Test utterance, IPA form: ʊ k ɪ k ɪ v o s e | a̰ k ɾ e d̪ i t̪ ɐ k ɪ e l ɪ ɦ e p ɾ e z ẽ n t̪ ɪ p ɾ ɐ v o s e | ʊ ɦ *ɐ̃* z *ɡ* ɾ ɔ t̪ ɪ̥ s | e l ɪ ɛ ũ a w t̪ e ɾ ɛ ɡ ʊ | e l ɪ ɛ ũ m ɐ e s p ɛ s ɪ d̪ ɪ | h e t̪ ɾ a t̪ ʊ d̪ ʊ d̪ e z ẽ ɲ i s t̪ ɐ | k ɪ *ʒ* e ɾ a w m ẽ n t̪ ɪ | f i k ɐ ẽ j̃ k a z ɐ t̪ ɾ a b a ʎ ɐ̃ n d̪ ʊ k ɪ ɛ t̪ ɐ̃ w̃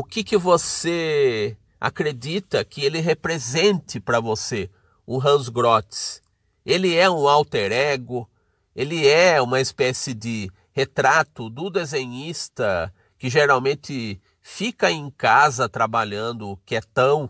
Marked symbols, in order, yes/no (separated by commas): yes, yes, yes